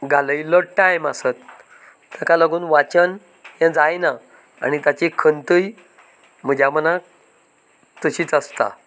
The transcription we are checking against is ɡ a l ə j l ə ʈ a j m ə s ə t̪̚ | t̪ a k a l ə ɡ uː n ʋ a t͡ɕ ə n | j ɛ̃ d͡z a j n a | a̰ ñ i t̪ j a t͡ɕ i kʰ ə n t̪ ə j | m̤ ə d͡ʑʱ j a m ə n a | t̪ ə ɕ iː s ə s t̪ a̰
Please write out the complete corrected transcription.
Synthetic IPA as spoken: ɡ a l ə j l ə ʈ a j m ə s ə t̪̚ | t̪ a k a l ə ɡ uː n ʋ a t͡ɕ ə n | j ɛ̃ d͡z a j n a | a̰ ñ i t̪ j a t͡ɕ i kʰ ə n t̪ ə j | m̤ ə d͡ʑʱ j a m ə n a | t̪ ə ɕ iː t͡s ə s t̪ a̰